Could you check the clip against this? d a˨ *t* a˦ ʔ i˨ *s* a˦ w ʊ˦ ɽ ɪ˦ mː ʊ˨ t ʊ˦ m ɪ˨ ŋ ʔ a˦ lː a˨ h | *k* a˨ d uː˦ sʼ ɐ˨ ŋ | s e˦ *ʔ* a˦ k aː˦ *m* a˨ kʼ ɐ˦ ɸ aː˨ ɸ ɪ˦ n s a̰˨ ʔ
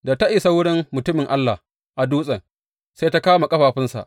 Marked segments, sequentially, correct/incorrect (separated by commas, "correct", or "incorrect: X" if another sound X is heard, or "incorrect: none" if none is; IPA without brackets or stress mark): correct, correct, incorrect: ʔ, incorrect: t, correct